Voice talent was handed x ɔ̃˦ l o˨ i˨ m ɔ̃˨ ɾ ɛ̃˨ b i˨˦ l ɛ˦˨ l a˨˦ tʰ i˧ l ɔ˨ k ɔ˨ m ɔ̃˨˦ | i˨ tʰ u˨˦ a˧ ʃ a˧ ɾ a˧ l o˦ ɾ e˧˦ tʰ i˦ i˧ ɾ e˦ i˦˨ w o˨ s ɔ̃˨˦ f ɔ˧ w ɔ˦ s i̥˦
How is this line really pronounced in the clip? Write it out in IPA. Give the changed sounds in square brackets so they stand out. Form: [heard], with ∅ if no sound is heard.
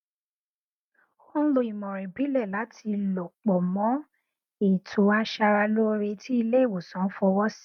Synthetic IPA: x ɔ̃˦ l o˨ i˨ m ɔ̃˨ ɾ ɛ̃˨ b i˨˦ l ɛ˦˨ l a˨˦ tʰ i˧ l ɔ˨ [k͡p] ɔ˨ m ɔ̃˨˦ | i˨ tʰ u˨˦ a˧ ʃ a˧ ɾ a˧ l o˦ ɾ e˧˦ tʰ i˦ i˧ [l] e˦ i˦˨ w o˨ s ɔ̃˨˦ f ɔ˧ w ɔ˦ s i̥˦